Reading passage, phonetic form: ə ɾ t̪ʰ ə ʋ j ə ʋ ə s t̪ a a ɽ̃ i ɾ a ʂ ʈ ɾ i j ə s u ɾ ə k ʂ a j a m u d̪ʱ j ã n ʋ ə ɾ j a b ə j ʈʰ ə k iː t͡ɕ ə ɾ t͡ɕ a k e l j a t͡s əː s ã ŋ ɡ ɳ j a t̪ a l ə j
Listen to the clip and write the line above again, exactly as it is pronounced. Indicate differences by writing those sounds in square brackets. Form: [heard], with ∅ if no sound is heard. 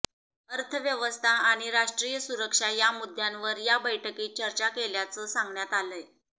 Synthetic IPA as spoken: ə ɾ t̪ʰ ə ʋ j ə ʋ ə s [t̪ʰ] a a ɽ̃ i ɾ a ʂ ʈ ɾ i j ə s u ɾ ə k ʂ a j a m u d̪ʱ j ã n ʋ ə ɾ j a b ə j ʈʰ ə k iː t͡ɕ ə ɾ t͡ɕ a k e l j a t͡s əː s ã ŋ ɡ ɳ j a t̪ a l ə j